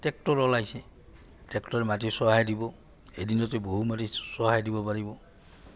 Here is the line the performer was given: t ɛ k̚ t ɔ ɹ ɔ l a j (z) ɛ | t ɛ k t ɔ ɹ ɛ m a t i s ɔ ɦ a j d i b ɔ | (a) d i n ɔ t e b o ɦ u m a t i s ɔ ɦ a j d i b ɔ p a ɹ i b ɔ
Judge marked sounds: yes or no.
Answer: no, no

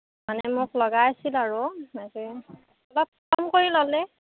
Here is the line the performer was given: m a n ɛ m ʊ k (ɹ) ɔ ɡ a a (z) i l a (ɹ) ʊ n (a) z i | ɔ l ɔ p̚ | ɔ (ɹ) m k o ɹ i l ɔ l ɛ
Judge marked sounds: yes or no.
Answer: no, no, yes, yes, no

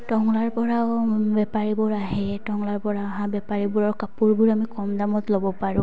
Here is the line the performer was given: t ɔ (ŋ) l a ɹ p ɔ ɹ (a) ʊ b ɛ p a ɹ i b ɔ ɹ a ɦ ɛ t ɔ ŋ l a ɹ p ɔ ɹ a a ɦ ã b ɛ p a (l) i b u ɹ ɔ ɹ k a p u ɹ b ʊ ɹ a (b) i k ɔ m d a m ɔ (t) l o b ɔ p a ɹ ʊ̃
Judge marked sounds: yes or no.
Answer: yes, yes, no, no, yes

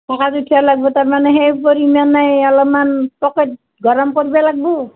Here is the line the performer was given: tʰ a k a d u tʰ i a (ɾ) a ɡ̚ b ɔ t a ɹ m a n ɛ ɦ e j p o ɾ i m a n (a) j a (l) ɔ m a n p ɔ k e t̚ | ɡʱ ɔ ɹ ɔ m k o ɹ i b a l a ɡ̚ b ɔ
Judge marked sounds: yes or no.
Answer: no, yes, yes

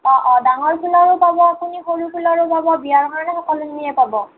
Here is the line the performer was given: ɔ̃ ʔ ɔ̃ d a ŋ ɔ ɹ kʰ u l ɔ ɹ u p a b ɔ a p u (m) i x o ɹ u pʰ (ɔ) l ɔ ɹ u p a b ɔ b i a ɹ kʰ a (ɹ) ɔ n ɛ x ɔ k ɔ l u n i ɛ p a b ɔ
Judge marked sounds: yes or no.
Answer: no, no, yes

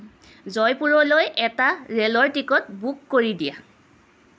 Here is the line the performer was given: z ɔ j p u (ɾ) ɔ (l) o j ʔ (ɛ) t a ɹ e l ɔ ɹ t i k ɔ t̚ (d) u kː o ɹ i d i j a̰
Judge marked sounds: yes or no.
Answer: no, yes, yes, no

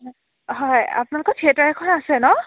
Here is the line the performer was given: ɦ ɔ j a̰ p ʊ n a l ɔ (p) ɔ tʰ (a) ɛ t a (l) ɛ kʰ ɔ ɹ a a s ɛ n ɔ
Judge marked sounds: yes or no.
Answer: no, no, no

